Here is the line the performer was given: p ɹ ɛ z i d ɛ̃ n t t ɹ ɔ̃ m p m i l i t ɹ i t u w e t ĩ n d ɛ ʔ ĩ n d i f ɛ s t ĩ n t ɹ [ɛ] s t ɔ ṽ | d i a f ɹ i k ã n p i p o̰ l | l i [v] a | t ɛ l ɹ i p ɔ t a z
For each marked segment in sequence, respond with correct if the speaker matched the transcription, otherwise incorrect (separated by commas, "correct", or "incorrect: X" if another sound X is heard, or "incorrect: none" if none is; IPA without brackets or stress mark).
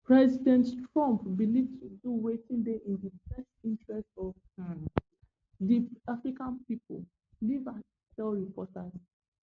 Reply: correct, correct